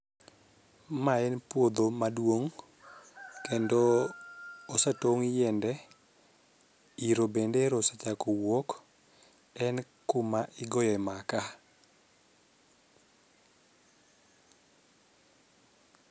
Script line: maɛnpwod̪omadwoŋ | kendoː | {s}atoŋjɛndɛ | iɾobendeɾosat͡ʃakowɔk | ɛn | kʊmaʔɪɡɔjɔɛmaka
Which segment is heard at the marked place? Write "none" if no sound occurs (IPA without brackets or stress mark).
s